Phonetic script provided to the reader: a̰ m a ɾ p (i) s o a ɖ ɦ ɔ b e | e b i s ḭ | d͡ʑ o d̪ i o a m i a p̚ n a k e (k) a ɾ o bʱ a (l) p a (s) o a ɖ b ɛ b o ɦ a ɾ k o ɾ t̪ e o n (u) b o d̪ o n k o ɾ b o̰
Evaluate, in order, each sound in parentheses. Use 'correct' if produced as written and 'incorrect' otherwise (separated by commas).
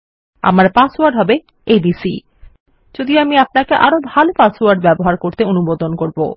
incorrect, incorrect, correct, correct, correct